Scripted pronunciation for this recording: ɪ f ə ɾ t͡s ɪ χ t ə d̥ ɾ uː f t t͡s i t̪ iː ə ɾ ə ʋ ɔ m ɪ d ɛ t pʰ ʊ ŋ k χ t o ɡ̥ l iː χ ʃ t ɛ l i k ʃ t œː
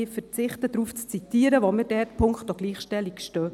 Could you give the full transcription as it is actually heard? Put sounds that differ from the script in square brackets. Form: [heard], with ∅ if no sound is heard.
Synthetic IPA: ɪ f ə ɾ t͡s ɪ χ t ə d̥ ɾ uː f [t͡s] t͡s i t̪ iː ə ɾ ə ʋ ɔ m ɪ d ɛ t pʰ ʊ ŋ k χ t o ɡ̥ l iː χ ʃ t ɛ l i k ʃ t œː